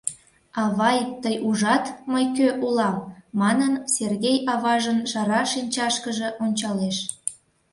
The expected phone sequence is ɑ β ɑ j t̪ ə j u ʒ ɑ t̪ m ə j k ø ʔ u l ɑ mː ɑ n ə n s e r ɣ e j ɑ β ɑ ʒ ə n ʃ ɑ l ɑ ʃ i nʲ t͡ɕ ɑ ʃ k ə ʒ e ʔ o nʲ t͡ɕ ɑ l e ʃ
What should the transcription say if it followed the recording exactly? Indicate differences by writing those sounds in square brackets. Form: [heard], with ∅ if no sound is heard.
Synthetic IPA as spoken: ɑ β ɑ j t̪ ə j u ʒ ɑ t̪ m ə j k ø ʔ u l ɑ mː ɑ n ə n s e r ɣ e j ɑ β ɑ ʒ ə n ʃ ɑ [ɾ] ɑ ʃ i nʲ t͡ɕ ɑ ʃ k ə ʒ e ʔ o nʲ t͡ɕ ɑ l e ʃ